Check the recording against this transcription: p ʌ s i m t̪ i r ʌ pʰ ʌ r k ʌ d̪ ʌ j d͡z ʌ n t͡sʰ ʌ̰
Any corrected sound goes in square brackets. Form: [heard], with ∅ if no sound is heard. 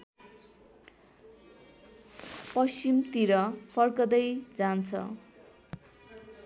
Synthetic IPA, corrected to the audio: p ʌ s i m t̪ i [ɾ] ʌ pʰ ʌ r k ʌ d̪ ʌ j d͡z [a] n t͡sʰ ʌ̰